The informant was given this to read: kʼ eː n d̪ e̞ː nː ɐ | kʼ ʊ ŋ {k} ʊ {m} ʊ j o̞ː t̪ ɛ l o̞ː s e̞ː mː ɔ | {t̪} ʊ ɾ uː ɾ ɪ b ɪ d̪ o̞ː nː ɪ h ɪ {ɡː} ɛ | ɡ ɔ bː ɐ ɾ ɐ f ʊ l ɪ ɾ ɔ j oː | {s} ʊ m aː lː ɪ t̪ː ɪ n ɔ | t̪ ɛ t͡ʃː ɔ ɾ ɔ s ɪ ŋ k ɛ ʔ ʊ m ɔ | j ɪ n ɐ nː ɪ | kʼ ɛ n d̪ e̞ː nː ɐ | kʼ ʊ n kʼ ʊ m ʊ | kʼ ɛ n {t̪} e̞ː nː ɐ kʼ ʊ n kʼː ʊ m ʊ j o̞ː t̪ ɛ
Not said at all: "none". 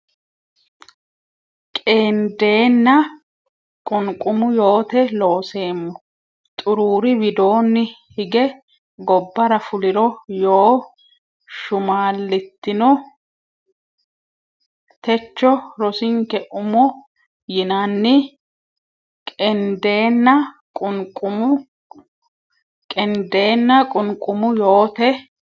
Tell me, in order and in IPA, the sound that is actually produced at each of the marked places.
kʼ, m, t̪ʼ, ɡ, ʃ, d̪

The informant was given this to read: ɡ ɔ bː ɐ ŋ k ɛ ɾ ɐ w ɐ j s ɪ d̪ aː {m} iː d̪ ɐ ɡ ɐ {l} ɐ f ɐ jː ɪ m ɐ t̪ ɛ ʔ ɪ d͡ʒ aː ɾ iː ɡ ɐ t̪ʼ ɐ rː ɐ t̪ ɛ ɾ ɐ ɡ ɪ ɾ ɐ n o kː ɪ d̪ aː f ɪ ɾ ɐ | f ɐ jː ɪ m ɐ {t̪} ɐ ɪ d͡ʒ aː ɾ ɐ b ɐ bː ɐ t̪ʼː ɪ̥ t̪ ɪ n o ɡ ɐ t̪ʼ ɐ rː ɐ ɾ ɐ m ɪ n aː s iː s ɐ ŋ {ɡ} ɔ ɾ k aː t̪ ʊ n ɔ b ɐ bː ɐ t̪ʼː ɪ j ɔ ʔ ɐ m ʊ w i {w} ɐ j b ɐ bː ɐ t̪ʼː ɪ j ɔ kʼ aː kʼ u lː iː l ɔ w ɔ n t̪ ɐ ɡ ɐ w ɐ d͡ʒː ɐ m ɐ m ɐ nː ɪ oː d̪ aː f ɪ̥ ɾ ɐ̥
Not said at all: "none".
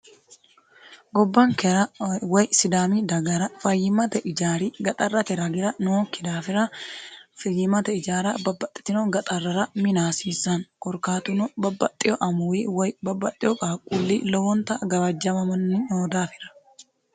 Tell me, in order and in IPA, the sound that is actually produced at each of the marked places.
m, ɾ, t̪, k, w

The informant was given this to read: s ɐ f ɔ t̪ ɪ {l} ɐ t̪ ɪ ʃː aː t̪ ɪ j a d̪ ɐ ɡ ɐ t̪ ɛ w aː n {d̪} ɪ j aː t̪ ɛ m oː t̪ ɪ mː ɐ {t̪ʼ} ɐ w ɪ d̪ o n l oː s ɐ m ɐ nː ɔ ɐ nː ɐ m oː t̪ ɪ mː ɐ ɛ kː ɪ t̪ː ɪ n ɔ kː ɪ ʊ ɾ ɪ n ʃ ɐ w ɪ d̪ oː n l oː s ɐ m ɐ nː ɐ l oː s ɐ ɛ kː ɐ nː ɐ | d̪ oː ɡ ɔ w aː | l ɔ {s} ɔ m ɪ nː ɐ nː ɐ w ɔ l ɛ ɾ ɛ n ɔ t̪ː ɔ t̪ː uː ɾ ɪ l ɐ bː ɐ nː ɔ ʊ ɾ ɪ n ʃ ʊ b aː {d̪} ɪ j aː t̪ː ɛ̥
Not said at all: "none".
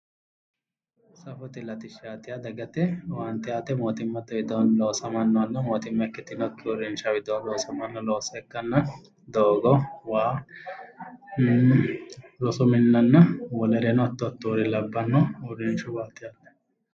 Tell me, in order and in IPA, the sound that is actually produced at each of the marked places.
l, t̪, t̪, s, t̪

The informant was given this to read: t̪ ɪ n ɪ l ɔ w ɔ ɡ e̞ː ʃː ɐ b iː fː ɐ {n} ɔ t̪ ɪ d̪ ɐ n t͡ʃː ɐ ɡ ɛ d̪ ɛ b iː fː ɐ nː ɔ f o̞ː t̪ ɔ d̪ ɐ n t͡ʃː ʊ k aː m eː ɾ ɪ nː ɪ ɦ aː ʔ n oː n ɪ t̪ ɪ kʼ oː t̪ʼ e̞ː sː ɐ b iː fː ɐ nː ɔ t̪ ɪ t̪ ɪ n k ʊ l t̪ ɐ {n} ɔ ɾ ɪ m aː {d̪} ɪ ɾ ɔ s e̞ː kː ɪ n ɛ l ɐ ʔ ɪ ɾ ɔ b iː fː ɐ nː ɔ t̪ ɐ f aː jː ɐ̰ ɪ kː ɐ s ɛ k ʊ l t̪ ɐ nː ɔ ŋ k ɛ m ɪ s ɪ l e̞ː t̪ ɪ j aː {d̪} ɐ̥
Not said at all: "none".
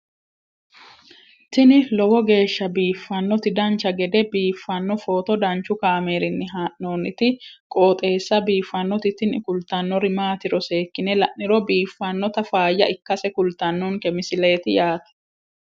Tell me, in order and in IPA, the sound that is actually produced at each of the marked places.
nː, nː, t̪, t̪

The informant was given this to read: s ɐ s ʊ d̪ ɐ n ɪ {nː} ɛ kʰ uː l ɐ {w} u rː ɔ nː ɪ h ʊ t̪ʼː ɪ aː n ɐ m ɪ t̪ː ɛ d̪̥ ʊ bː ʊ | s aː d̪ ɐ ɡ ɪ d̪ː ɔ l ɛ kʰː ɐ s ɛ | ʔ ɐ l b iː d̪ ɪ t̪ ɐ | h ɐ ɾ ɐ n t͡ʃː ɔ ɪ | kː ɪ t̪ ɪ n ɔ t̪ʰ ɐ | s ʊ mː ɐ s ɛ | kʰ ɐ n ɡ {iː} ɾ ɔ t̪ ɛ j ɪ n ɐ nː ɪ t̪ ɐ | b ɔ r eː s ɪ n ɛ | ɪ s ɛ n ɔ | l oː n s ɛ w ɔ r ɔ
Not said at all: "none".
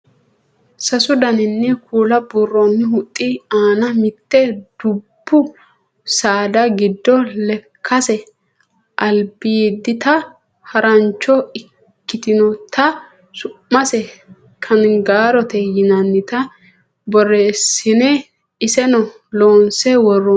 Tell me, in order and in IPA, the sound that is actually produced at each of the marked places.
nː, b, aː

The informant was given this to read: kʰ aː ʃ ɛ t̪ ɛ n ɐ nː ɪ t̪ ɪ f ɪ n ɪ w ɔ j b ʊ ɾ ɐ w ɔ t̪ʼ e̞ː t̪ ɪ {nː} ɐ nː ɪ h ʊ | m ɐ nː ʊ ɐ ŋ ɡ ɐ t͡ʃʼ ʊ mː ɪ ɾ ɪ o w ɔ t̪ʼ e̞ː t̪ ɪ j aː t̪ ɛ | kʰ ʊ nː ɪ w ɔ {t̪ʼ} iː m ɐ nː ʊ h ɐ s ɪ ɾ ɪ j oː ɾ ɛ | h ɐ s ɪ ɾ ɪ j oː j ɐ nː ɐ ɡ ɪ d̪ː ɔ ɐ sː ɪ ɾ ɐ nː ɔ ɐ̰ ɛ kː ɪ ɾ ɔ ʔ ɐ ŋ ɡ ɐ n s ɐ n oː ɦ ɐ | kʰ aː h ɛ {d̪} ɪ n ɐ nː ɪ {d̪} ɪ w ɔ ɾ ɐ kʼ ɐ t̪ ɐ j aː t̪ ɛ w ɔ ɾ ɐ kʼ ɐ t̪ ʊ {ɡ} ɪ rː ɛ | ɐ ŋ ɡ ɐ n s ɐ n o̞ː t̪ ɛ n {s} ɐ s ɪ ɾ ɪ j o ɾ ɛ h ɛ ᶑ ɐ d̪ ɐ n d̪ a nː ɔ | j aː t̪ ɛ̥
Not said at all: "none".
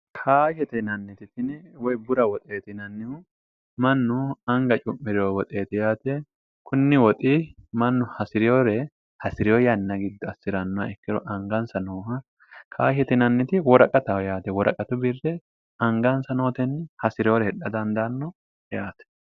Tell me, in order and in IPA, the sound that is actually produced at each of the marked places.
n, t̪ʼ, t̪, t̪, b, h

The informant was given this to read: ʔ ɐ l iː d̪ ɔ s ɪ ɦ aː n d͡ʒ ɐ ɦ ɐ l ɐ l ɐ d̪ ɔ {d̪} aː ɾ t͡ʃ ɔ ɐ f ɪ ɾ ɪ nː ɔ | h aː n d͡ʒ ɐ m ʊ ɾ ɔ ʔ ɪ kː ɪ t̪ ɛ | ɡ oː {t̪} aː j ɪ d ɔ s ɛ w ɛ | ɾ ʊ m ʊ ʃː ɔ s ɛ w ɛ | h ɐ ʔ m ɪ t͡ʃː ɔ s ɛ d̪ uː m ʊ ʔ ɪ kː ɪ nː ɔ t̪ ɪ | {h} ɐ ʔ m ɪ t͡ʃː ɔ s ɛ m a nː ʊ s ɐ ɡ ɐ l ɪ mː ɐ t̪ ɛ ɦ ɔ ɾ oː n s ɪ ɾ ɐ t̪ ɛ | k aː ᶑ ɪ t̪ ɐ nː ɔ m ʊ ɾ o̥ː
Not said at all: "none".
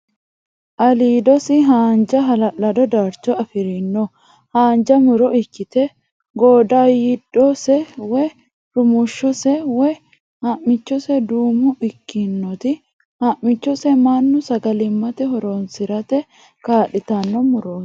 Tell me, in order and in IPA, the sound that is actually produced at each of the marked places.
d̪, d̪, h

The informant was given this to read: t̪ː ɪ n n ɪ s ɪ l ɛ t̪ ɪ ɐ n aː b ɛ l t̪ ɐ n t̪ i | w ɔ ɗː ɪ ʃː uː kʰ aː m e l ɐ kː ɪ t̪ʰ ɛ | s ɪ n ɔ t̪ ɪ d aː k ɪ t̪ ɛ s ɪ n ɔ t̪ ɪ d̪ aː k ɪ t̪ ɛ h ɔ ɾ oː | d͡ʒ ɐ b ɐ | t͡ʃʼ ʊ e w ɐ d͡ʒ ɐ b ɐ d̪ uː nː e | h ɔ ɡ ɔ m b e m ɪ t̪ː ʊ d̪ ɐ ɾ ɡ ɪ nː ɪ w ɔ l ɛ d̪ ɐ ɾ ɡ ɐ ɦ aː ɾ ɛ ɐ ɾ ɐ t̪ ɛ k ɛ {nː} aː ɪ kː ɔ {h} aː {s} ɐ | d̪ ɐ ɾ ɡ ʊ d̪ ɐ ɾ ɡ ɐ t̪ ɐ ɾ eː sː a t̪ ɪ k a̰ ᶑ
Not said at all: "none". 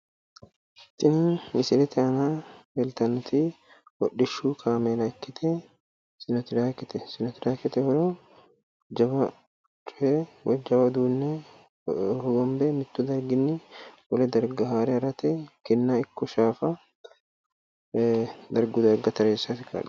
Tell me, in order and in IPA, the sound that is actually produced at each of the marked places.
nː, ʃ, f

